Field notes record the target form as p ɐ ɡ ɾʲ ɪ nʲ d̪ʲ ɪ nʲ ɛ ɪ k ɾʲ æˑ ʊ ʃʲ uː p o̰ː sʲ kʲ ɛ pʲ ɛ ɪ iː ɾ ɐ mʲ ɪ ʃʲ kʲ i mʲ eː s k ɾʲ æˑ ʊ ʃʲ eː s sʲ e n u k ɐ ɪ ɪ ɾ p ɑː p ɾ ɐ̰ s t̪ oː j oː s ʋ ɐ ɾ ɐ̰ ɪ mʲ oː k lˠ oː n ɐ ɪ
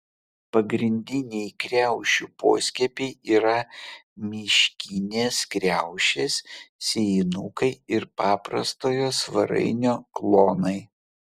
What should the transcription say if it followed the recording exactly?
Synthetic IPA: p ɐ ɡ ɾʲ ɪ nʲ d̪ʲ ɪ nʲ ɛ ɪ k ɾʲ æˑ ʊ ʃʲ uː p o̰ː sʲ kʲ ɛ pʲ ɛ ɪ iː ɾ ɐ mʲ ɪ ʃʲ kʲ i nʲ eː s k ɾʲ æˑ ʊ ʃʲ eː s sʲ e n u k ɐ ɪ ɪ ɾ p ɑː p ɾ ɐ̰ s t̪ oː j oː s ʋ ɐ ɾ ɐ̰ ɪ nʲ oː k lˠ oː n ɐ ɪ